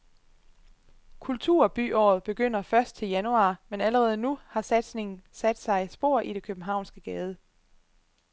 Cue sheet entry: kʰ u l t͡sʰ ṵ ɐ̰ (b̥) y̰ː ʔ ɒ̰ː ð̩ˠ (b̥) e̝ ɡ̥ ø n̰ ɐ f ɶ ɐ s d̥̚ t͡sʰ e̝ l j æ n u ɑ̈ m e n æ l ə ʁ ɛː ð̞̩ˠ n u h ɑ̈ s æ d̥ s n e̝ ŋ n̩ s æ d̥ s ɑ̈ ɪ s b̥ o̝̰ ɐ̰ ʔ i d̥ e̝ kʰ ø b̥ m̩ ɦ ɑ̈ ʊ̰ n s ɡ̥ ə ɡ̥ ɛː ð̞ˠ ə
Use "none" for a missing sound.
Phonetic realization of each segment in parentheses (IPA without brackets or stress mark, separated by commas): b̥, b̥